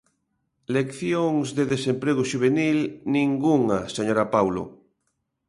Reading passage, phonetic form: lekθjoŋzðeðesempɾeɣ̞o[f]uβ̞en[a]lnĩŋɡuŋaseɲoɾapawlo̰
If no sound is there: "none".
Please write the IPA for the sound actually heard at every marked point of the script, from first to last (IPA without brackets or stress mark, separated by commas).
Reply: ʃ, i